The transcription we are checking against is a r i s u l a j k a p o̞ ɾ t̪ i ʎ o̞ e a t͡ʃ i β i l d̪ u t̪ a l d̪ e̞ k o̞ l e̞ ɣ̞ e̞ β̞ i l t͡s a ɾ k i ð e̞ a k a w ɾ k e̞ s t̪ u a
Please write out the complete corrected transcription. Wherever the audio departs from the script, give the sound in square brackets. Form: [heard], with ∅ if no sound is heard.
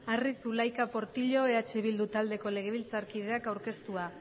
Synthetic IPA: a r i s u l a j k a p o̞ ɾ t̪ i ʎ o̞ e a t͡ʃ [e] β i l d̪ u t̪ a l d̪ e̞ k o̞ l e̞ ɣ̞ e̞ β̞ i l t͡s a ɾ k i ð e̞ a k a w ɾ k e̞ s t̪ u a